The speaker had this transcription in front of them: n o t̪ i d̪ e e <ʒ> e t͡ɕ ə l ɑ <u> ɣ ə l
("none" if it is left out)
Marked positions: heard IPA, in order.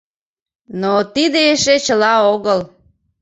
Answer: ʃ, o

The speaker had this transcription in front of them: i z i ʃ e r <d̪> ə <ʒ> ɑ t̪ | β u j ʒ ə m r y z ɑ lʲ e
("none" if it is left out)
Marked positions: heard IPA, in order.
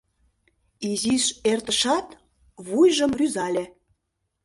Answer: t̪, ʃ

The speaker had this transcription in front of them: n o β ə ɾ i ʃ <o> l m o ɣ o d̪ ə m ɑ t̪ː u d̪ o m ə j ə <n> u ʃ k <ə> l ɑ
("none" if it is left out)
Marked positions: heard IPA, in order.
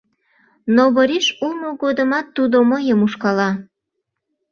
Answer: u, m, ɑ

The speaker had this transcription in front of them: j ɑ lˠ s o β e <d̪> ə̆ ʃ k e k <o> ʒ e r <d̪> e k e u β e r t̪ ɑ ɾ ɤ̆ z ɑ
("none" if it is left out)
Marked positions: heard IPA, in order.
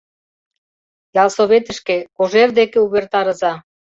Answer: t̪, o, d̪

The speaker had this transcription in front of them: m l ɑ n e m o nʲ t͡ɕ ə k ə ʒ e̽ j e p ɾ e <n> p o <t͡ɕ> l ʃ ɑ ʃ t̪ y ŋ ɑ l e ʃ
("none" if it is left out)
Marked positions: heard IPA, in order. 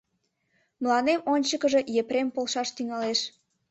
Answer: m, none

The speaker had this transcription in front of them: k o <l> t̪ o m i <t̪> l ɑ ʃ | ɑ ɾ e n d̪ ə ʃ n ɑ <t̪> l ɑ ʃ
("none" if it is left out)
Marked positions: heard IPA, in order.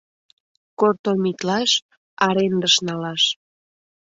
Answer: r, t̪, none

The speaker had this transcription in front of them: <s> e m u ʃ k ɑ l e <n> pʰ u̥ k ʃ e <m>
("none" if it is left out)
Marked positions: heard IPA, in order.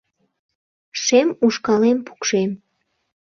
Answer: ʃ, m, m

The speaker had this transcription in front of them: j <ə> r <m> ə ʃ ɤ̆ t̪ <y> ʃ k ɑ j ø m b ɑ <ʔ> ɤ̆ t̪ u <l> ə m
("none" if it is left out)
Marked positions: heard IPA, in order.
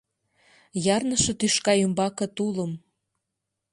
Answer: ɑ, n, y, k, l

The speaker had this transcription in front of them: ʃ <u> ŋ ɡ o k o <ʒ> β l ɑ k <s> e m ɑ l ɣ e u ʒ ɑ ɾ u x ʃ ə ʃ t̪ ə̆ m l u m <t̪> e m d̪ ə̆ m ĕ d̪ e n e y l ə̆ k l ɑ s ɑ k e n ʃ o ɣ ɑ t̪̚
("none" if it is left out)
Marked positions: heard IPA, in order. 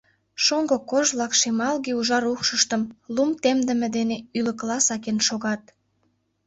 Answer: o, ʒ, ʃ, t̪

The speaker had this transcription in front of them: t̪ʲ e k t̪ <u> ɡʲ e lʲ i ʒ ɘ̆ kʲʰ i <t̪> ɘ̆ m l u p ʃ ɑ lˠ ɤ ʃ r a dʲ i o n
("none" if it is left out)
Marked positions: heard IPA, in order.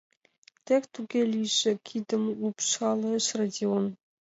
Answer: u, d̪

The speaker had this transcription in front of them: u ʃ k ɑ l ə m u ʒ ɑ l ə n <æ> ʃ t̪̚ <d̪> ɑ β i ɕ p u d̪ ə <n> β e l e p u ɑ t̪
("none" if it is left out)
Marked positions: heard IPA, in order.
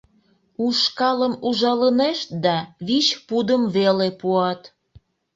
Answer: e, d̪, m

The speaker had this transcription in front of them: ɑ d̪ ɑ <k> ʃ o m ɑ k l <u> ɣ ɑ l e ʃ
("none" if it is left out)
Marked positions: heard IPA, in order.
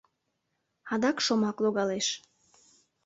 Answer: k, o

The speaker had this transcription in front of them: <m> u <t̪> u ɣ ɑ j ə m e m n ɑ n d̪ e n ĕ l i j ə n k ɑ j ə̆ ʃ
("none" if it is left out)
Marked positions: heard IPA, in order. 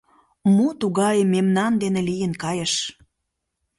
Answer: m, t̪

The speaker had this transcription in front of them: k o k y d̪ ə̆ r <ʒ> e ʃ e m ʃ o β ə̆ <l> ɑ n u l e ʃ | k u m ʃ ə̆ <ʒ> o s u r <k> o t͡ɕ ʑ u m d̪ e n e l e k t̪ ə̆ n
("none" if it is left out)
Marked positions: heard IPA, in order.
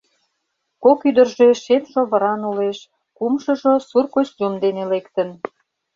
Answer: ʒ, ɾ, ʒ, k

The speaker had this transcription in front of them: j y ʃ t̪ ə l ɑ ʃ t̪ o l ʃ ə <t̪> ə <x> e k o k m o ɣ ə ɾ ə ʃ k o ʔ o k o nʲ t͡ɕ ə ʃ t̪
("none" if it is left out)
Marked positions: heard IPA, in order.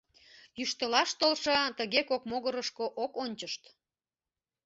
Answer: t̪, ɣ

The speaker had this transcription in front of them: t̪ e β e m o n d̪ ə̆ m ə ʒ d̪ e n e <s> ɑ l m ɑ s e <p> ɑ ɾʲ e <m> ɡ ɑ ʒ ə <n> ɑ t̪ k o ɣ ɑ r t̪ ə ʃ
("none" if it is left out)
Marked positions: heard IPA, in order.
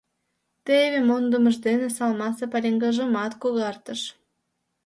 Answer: s, p, ŋ, m

